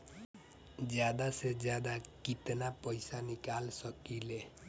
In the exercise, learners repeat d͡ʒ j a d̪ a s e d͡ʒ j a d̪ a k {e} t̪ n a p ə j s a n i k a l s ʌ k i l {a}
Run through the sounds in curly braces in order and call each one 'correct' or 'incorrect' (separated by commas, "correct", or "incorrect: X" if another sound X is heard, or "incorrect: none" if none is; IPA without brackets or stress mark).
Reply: incorrect: i, incorrect: e